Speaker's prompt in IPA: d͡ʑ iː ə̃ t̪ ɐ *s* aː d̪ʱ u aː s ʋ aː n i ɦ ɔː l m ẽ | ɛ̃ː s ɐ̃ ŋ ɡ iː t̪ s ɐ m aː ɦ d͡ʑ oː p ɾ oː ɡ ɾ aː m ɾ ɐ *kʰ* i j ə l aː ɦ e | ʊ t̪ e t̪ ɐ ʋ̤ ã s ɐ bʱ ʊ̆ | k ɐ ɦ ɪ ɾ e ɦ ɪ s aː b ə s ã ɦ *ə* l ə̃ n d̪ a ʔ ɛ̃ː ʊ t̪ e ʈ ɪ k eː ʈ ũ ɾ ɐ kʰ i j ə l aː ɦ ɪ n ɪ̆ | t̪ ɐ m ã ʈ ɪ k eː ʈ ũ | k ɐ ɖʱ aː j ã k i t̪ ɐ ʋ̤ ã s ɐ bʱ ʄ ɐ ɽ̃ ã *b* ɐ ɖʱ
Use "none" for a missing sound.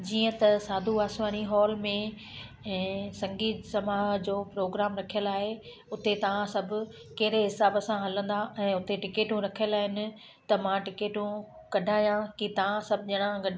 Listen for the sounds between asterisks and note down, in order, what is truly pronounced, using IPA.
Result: s, kʰ, ɐ, ɡ

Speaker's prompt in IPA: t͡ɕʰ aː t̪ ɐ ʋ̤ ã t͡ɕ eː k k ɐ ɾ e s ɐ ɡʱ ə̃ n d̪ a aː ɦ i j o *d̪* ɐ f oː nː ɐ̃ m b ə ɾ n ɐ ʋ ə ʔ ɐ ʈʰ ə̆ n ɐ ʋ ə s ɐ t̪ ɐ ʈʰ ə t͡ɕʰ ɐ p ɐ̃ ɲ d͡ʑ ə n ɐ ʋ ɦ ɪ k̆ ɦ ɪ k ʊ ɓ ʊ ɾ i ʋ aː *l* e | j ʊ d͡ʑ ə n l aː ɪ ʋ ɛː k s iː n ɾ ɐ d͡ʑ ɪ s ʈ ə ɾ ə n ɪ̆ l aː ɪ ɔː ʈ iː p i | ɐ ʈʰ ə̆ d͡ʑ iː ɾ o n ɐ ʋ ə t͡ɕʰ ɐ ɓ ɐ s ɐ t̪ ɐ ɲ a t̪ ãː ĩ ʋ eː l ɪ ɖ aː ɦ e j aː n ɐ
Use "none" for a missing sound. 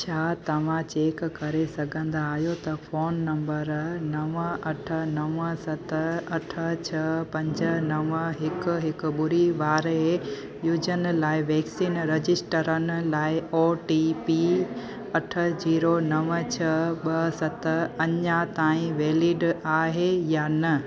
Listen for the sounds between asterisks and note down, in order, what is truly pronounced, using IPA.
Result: t̪, ɾ

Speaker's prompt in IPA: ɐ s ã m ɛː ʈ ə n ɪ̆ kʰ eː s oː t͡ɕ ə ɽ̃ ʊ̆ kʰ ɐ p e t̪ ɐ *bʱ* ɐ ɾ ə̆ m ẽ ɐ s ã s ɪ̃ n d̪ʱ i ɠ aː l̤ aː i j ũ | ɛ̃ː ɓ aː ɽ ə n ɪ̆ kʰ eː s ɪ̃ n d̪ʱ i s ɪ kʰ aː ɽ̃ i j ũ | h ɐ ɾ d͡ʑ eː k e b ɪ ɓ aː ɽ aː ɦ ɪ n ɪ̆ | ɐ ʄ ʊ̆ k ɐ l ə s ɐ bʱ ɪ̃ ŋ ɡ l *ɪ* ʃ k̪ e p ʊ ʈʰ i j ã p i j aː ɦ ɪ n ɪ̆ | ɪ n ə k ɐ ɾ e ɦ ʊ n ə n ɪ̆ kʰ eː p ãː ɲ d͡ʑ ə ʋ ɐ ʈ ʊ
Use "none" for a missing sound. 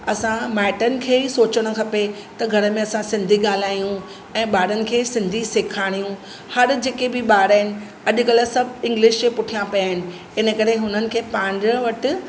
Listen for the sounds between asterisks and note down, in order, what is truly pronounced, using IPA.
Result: ɡʱ, ɪ

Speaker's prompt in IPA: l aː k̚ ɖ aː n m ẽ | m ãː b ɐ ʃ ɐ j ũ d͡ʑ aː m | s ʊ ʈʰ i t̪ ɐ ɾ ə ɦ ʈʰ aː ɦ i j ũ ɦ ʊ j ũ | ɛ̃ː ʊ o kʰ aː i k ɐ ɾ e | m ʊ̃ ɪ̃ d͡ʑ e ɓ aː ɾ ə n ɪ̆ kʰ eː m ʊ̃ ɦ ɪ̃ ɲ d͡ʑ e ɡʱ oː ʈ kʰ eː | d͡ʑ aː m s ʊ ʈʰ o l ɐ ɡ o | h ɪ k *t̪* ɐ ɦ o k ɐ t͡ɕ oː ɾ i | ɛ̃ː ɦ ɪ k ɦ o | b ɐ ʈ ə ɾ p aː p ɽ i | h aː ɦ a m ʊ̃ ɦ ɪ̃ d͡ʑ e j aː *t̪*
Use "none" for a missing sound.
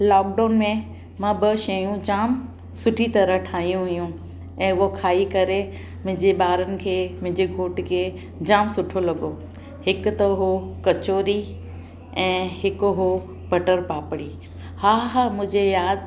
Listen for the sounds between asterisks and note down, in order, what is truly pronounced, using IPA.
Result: t̪, d̪

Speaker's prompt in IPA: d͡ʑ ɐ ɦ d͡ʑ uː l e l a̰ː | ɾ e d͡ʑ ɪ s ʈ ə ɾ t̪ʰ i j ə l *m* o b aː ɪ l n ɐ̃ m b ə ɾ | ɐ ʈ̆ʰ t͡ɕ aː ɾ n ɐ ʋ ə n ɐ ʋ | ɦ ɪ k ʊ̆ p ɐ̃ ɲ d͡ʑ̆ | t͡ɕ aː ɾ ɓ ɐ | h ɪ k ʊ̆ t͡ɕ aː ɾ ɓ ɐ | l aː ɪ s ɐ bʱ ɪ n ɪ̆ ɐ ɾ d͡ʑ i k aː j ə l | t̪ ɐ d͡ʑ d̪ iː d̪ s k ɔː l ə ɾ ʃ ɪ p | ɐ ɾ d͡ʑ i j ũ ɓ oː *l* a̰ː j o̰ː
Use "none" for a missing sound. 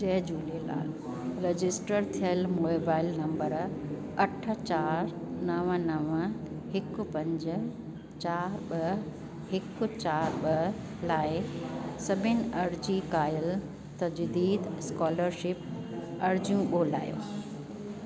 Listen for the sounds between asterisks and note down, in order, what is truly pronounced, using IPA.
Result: m, l

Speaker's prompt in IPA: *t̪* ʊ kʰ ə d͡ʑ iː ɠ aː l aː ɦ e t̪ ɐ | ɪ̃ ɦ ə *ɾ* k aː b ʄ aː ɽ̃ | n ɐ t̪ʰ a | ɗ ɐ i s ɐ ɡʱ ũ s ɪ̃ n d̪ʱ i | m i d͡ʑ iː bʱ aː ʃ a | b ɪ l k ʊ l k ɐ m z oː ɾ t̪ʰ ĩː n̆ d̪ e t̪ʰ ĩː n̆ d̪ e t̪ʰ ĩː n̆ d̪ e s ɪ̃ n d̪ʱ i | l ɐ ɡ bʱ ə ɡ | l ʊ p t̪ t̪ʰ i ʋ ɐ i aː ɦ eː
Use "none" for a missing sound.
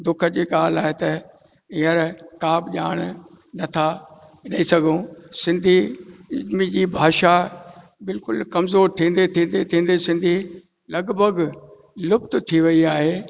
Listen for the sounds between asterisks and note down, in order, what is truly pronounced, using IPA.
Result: d̪, ɾ

